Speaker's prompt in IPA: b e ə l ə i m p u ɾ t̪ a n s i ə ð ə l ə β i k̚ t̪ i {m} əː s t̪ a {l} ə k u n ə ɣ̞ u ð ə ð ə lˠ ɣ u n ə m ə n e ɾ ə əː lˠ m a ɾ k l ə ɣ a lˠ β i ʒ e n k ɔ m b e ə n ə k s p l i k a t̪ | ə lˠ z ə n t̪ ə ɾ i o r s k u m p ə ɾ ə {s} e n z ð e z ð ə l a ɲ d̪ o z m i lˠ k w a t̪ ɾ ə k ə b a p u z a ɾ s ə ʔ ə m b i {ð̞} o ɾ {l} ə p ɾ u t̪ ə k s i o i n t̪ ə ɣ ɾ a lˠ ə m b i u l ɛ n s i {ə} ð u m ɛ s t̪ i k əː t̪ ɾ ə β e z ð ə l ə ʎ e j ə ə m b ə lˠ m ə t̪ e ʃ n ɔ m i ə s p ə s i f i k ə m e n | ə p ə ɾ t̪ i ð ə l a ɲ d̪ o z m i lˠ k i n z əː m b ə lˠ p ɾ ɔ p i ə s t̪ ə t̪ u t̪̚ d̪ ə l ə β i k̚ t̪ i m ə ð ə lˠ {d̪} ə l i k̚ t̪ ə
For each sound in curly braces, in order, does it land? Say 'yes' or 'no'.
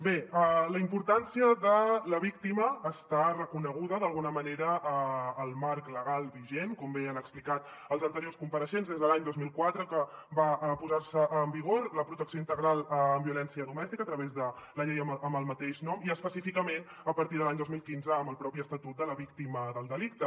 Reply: yes, no, no, no, yes, yes, yes

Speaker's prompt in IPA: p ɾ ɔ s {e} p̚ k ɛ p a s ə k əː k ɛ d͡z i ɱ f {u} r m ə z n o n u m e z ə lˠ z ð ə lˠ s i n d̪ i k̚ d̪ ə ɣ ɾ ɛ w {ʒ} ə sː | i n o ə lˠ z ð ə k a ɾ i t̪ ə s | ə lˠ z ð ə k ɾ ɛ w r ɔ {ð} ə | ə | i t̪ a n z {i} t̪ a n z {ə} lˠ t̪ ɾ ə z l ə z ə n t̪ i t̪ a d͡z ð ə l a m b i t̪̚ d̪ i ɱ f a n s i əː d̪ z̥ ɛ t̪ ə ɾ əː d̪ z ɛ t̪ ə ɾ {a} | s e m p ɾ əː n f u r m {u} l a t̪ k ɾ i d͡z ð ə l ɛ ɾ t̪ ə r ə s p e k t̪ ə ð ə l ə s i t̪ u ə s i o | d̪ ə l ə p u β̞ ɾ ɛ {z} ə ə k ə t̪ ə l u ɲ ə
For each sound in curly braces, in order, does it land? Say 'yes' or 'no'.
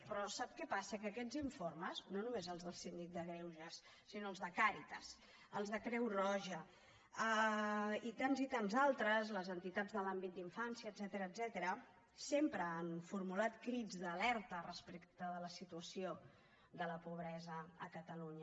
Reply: no, no, yes, no, yes, no, no, yes, yes

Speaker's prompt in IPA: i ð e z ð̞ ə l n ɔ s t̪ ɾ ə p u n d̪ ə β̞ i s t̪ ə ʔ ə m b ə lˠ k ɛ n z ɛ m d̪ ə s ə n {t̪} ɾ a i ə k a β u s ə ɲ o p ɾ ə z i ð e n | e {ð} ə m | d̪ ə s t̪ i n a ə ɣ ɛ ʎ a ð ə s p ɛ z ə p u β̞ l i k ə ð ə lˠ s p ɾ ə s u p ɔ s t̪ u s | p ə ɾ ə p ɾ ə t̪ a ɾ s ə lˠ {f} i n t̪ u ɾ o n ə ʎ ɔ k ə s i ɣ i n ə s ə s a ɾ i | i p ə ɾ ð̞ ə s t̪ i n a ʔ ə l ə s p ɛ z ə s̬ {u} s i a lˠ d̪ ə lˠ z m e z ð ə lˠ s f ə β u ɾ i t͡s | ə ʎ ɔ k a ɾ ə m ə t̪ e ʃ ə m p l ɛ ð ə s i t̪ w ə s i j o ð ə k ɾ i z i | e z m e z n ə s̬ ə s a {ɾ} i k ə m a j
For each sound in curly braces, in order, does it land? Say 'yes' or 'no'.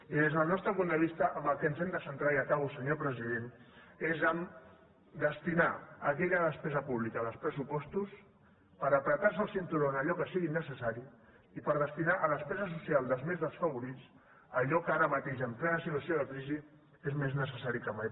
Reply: yes, no, no, yes, yes

